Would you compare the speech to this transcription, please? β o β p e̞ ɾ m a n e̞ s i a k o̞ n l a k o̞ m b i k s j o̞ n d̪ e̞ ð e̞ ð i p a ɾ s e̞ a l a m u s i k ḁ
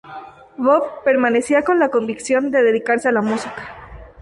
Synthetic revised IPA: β o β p e̞ ɾ m a n e̞ s i a k o̞ n l a k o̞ m b i k s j o̞ n d̪ e̞ ð e̞ ð i k a ɾ s e̞ a l a m u s i k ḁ